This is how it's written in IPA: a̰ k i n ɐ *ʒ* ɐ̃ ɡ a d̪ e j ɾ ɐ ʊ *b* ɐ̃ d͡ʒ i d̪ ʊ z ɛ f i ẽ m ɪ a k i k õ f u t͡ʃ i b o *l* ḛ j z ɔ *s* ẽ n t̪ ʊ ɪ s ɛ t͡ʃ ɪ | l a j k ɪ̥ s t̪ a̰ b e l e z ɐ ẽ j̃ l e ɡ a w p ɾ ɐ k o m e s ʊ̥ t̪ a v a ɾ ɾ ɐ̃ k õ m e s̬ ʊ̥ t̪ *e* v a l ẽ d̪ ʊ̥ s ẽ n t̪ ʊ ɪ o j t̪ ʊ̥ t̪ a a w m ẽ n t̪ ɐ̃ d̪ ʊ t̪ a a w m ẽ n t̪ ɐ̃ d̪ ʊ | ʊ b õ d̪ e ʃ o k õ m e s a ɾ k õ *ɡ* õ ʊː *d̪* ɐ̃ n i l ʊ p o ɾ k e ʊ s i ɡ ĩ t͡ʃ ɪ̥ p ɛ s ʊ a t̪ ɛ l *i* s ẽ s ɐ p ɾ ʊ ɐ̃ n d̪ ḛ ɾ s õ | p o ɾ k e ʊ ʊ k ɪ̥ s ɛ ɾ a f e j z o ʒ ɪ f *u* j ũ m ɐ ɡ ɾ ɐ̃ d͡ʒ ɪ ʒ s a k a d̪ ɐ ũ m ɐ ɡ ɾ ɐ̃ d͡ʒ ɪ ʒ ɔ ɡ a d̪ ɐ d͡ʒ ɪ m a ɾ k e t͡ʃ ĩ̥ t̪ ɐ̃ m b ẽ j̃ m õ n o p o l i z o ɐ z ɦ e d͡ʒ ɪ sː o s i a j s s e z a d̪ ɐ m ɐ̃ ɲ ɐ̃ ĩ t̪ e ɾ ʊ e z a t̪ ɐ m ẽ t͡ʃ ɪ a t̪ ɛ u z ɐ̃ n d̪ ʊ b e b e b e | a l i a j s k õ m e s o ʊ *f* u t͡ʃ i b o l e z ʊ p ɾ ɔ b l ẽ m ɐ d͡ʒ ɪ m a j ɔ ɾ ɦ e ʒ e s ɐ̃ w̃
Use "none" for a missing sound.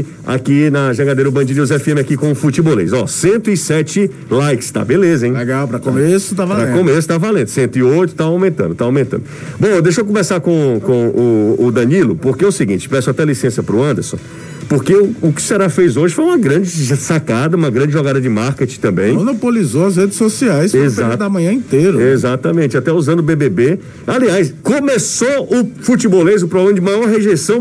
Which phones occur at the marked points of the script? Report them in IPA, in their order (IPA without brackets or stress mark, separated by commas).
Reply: ʒ, b, l, s, a, k, d̪, i, o, f